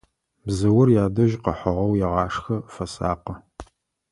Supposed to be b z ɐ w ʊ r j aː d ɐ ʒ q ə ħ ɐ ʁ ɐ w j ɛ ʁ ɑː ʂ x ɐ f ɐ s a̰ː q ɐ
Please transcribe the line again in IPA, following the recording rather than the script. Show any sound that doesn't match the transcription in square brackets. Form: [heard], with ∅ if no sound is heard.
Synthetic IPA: b z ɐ w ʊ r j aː d ɐ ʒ q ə ħ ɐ ʁ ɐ w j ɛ ʁ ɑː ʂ x ɐ f ɐ s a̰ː q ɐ